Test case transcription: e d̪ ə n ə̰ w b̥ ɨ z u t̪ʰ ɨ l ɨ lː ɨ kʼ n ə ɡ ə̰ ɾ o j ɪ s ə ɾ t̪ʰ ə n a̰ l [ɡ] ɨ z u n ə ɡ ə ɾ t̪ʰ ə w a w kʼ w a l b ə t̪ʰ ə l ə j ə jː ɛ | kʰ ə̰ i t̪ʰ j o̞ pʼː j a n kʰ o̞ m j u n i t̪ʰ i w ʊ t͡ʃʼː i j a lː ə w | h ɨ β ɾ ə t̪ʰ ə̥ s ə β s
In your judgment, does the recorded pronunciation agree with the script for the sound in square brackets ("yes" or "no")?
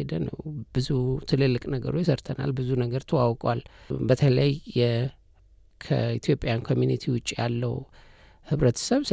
no